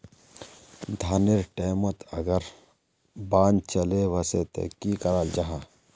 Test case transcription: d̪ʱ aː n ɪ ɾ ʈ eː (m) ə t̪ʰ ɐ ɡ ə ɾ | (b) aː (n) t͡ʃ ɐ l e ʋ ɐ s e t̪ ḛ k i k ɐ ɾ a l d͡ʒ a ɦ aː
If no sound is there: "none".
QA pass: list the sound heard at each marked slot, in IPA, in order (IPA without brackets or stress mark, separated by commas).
m, b, n